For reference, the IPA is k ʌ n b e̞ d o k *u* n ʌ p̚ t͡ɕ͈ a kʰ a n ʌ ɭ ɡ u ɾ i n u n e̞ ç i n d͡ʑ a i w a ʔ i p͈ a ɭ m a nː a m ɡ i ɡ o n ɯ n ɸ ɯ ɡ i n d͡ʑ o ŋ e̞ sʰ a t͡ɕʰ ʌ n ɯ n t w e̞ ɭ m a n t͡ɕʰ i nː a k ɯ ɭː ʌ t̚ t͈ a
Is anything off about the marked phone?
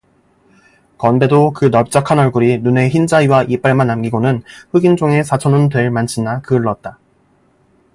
yes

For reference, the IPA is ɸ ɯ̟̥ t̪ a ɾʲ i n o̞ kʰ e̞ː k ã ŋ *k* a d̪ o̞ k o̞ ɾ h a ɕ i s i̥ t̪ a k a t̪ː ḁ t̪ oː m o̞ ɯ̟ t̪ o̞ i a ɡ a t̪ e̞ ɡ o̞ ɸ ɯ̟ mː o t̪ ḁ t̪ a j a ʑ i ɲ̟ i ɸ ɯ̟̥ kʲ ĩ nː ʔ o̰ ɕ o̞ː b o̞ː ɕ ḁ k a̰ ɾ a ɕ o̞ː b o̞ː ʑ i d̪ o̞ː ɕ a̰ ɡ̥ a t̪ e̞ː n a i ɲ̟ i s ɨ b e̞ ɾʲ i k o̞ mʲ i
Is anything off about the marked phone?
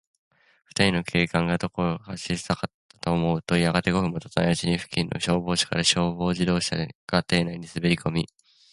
yes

